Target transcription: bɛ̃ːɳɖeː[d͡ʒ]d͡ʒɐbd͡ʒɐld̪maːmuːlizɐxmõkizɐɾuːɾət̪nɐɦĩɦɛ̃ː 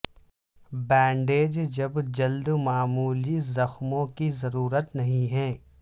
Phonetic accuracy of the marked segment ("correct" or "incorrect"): correct